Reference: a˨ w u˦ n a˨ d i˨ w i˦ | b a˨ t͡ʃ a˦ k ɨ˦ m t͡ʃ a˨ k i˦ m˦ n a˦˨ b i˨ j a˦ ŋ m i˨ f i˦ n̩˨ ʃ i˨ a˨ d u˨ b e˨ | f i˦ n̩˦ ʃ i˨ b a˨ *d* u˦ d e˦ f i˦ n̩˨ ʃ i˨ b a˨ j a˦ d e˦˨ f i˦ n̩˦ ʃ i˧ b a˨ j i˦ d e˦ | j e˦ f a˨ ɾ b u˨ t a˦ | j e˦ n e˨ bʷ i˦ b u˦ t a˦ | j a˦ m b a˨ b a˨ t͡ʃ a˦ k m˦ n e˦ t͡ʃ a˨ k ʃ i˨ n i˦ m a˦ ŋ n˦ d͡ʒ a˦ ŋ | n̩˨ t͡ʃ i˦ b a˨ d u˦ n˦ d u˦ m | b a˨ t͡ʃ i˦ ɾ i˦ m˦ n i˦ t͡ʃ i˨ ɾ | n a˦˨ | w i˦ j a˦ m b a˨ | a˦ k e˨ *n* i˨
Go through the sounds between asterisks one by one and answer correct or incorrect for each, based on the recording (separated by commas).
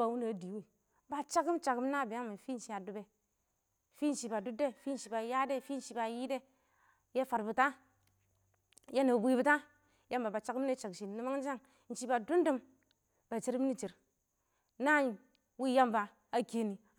correct, correct